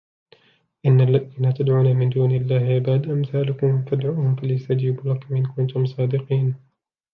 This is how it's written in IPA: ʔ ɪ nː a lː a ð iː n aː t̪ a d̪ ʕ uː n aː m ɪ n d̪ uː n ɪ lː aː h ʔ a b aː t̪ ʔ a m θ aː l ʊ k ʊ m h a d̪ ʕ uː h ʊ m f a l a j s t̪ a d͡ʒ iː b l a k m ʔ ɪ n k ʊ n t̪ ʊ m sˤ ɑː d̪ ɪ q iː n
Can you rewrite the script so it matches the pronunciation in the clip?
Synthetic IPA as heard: ʔ ɪ nː a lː a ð iː n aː t̪ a d̪ ʕ uː n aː m ɪ n d̪ uː n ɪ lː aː h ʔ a b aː d̪ ʔ a m θ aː l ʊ k ʊ m f a d̪ ʕ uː h ʊ m f a l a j s t̪ a d͡ʒ iː b l a k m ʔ ɪ n k ʊ n t̪ ʊ m sˤ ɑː d̪ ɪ q iː n

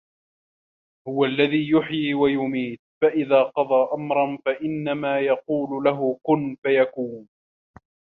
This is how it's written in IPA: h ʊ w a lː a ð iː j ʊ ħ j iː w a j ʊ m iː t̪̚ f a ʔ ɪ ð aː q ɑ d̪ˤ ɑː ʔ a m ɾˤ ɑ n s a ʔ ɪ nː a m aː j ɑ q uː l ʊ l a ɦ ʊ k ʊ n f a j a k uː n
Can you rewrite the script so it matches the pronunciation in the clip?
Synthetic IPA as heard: h ʊ w a lː a ð iː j ʊ ħ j iː w a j ʊ m iː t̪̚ f a ʔ ɪ ð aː q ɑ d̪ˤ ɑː ʔ a m ɾˤ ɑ n f a ʔ ɪ nː a m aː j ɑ q uː l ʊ l a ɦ ʊ k ʊ n f a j a k uː n

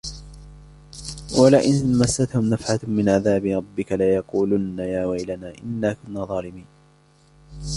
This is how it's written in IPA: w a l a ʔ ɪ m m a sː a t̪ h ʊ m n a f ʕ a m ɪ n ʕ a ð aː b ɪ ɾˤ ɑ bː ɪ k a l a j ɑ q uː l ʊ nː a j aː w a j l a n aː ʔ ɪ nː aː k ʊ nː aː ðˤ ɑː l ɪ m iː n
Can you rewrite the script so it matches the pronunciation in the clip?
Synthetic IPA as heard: w a l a ʔ ɪ n m a sː a t̪ h ʊ m n a f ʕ a m ɪ n ʕ a ð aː b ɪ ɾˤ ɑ bː ɪ k a l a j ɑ q uː l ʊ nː a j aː w a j l a n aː ʔ ɪ nː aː k ʊ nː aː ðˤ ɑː l ɪ m iː n

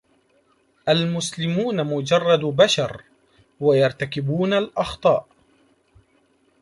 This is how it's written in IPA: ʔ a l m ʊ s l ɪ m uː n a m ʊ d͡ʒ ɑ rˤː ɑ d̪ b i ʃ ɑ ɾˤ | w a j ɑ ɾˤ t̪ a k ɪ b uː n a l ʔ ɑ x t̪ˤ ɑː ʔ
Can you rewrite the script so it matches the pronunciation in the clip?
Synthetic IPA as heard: ʔ a l m ʊ s l ɪ m uː n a m ʊ d͡ʒ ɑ rˤː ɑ d̪ b a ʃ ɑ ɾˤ | w a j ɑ ɾˤ t̪ a k ɪ b uː n a l ʔ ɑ x t̪ˤ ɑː ʔ

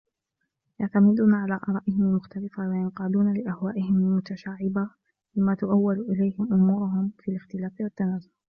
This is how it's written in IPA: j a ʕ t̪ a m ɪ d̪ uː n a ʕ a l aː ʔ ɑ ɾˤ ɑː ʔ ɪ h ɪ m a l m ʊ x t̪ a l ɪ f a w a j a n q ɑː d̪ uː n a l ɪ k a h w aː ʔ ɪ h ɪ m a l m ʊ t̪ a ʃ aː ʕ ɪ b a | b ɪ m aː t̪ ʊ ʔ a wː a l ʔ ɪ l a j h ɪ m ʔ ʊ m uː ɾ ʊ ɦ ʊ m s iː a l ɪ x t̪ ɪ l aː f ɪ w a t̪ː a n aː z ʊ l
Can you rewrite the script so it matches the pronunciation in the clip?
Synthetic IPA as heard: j a ʕ t̪ a m ɪ d̪ uː n a ʕ a l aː ʔ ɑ ɾˤ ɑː ʔ ɪ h ɪ m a l m ʊ x t̪ a l ɪ f a w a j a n q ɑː d̪ uː n a l ɪ ʔ a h w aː ʔ ɪ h ɪ m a l m ʊ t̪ a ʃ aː ʕ ɪ b a | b ɪ m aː t̪ ʊ ʔ a wː a l ʔ ɪ l a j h ɪ m ʔ ʊ m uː ɾ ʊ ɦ ʊ m f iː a l ɪ x t̪ ɪ l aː f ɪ w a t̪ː a n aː z ʊ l

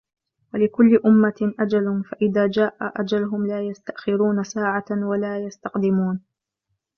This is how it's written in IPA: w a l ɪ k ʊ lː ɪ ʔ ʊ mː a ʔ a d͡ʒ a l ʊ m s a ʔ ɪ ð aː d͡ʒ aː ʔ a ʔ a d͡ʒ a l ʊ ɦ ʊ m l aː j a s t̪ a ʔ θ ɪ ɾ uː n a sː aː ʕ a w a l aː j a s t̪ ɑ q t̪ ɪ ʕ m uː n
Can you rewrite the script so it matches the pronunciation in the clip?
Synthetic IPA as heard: w a l ɪ k ʊ lː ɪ ʔ ʊ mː a ʔ a d͡ʒ a l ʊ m f a ʔ ɪ ð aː d͡ʒ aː ʔ a ʔ a d͡ʒ a l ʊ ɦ ʊ m l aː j a s t̪ a ʔ x ɪ ɾ uː n a s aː ʕ a w a l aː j a s t̪ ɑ q d̪ ɪ m uː n

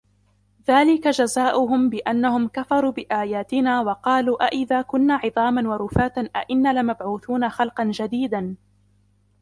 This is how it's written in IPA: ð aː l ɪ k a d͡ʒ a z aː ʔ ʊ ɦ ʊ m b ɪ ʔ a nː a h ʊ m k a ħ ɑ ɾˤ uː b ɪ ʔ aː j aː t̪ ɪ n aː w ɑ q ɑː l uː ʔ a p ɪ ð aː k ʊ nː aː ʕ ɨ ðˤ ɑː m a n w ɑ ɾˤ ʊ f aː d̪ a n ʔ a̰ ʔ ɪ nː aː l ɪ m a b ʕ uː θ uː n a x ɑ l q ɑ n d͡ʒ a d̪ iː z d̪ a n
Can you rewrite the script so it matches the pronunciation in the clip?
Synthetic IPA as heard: ð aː l ɪ k a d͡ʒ a z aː ʔ ʊ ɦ ʊ m b ɪ ʔ a nː a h ʊ m k a f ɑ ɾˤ uː b ɪ ʔ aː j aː t̪ ɪ n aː w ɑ q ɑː l uː ʔ a ʔ ɪ ð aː k ʊ nː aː ʕ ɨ ðˤ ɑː m a n w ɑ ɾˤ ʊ f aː t̪ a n ʔ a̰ ʔ ɪ nː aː l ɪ m a b ʕ uː θ uː n a x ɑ l q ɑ n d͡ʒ a d̪ iː d̪ a n

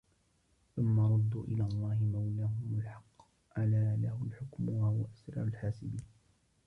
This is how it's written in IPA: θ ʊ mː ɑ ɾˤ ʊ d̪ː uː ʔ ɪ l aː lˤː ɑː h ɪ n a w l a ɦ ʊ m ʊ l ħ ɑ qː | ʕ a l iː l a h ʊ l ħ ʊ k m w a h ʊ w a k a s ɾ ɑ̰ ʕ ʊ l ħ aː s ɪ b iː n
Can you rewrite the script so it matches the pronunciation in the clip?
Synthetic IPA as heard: θ ʊ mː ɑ ɾˤ ʊ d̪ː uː ʔ ɪ l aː lˤː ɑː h ɪ m a w l a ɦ ʊ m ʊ l ħ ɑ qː | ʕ a l aː l a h ʊ l ħ ʊ k m w a h ʊ w a ʔ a s ɾ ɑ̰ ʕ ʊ l ħ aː s ɪ b iː n

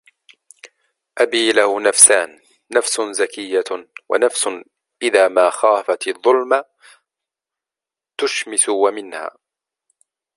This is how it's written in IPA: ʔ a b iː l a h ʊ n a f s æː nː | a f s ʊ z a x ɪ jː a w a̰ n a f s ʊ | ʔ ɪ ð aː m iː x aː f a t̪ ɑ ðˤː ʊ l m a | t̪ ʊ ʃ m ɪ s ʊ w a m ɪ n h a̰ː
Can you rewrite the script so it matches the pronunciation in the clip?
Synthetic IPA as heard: ʔ a b iː l a h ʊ n a f s aː nː | a f s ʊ z a k ɪ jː a w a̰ n a f s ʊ | ʔ ɪ ð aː m aː x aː f a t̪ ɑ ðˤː ʊ l m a | t̪ ʊ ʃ m ɪ s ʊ w a m ɪ n h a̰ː

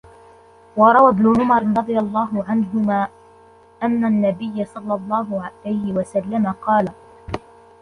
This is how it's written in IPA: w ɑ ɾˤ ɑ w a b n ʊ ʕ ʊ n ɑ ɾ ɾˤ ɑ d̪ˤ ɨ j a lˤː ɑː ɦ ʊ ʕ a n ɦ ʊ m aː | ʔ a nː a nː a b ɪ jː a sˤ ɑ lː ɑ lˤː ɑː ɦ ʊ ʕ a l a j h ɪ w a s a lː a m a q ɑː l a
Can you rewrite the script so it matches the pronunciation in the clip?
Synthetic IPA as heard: w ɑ ɾˤ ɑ w a b n ʊ ʕ ʊ m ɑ ɾ ɾˤ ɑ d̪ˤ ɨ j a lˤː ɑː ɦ ʊ ʕ a n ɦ ʊ m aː | ʔ a nː a nː a b ɪ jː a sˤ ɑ lː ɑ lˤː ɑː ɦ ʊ ʕ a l a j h ɪ w a s a lː a m a q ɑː l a

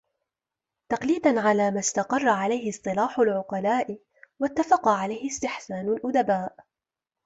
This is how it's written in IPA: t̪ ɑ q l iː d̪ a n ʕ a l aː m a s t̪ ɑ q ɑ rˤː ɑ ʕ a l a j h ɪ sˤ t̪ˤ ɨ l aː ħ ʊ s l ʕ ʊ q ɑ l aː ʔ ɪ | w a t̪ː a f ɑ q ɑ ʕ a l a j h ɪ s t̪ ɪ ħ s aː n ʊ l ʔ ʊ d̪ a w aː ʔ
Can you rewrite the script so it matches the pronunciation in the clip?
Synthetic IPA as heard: t̪ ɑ q l iː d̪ a n ʕ a l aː m a s t̪ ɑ q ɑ rˤː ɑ ʕ a l a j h ɪ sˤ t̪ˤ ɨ l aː ħ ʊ l ʕ ʊ q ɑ l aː ʔ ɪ | w a t̪ː a f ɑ q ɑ ʕ a l a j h ɪ s t̪ ɪ ħ s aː n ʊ l ʔ ʊ d̪ a b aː ʔ

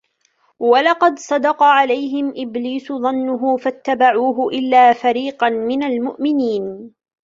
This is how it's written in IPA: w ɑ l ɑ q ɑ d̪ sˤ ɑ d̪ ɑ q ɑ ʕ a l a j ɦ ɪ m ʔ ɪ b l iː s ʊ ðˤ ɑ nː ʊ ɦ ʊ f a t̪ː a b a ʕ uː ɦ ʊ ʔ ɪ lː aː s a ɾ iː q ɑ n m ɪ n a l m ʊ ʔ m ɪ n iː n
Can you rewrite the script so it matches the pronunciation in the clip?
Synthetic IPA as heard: w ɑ l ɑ q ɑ d̪ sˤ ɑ d̪ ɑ q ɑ ʕ a l a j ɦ ɪ m ʔ ɪ b l iː s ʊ ðˤ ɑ nː ʊ ɦ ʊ f a t̪ː a b a ʕ uː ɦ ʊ ʔ ɪ lː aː f a ɾ iː q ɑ n m ɪ n a l m ʊ ʔ m ɪ n iː n

